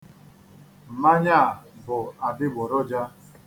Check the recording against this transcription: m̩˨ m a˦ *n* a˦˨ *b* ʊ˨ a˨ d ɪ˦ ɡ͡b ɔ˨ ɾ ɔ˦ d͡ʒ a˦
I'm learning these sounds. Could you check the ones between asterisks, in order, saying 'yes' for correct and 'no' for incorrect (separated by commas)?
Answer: no, yes